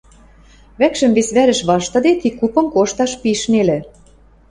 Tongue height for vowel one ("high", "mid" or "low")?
low